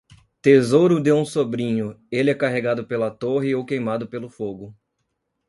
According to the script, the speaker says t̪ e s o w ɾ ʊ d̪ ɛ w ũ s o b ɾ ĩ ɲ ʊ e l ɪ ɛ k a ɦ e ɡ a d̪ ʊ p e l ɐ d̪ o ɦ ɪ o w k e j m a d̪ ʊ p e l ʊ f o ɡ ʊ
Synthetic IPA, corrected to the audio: t̪ e z o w ɾ ʊ d̪ e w ũ s o b ɾ ĩ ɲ ʊ e l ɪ ɛ k a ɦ e ɡ a d̪ ʊ p e l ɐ t̪ o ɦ ɪ o w k e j m a d̪ ʊ p e l ʊ f o ɡ ʊ